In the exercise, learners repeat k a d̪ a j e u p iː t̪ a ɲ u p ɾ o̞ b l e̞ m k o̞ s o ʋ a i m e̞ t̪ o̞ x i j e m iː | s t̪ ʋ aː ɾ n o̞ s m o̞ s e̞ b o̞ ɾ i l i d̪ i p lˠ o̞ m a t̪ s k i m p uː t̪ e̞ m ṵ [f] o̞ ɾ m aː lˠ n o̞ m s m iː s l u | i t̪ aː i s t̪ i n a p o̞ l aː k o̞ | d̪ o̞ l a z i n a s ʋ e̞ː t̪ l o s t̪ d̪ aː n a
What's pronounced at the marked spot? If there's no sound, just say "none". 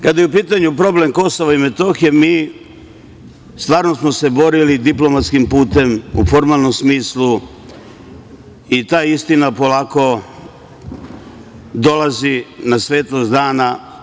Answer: f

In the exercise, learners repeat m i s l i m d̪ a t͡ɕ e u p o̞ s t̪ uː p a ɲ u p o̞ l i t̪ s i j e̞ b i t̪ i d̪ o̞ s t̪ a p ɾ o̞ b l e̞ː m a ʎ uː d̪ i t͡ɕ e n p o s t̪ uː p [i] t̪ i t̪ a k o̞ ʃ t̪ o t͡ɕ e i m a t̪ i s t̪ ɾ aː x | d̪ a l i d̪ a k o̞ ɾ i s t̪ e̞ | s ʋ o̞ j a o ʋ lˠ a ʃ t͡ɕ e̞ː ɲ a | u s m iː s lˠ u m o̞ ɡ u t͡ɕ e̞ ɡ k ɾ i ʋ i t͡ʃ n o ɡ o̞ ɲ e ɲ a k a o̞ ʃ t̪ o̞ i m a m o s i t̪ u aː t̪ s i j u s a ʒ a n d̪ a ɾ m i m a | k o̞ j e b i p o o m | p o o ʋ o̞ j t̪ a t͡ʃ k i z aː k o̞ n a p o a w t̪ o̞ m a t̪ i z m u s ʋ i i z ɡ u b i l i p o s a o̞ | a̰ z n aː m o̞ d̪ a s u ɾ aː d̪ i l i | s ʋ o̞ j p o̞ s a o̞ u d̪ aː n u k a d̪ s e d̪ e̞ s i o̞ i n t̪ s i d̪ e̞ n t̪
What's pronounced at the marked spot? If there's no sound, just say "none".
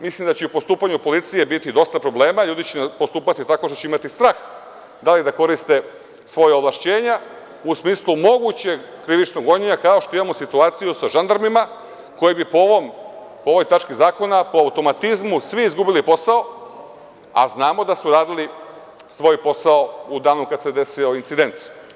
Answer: a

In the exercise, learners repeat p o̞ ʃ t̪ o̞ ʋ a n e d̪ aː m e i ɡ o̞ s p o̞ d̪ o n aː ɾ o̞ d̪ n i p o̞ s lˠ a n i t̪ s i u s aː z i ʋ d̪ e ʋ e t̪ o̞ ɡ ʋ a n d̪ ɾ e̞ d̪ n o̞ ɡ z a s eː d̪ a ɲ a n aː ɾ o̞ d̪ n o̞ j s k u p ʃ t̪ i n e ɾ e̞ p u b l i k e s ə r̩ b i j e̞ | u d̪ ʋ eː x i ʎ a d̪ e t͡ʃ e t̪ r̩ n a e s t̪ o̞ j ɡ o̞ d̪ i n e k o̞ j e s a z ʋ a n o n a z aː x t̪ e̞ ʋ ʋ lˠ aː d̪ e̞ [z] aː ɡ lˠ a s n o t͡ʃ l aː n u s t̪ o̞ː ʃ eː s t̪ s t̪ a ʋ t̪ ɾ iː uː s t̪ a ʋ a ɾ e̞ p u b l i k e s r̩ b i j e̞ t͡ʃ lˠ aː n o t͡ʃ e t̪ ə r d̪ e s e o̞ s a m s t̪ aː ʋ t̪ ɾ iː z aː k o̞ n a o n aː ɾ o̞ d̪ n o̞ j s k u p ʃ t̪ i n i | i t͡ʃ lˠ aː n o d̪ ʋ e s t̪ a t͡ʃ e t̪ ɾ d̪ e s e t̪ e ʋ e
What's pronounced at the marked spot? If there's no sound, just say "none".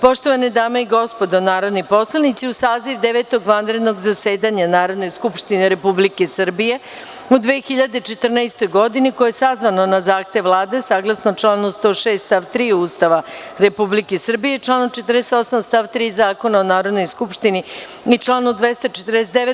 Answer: s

